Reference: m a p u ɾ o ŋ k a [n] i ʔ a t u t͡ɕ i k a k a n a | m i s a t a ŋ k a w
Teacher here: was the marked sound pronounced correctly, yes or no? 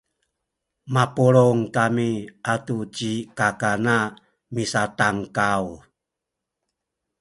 no